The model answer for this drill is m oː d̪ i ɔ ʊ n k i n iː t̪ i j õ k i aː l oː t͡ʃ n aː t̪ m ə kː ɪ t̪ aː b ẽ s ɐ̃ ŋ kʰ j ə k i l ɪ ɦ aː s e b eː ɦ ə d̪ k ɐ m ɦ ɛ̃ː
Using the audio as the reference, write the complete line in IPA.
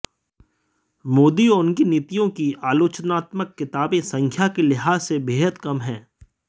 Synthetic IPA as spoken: m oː d̪ i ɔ ʊ n k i n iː t̪ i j õ k i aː l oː t͡ʃ n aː t̪ m ə kː ɪ t̪ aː b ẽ s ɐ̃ ŋ kʰ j a k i l ɪ ɦ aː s e b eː ɦ ə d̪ k ɐ m ɦ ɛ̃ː